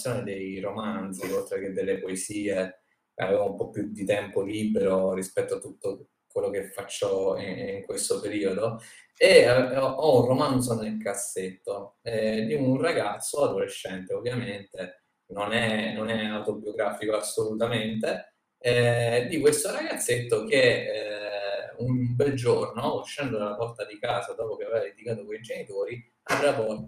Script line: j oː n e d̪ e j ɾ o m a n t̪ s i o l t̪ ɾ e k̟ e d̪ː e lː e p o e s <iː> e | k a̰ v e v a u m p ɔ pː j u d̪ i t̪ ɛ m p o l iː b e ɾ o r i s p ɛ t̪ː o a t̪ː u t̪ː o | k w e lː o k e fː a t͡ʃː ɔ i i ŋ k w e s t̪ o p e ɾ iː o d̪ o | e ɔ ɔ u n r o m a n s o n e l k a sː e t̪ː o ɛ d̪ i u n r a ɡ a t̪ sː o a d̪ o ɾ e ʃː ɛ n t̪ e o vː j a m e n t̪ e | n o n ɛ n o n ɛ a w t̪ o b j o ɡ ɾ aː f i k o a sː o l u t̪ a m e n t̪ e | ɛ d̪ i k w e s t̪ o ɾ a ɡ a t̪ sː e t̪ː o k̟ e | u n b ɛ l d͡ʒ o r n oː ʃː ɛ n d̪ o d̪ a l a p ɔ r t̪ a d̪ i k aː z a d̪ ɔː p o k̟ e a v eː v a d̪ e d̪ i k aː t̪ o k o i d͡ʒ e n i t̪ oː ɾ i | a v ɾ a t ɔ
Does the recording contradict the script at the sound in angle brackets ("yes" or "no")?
no